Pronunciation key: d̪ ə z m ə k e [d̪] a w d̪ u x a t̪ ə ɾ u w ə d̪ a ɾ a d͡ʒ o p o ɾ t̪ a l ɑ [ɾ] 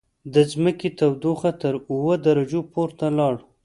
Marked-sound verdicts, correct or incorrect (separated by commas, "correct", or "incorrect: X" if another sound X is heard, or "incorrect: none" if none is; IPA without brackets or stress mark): incorrect: t̪, incorrect: ɽ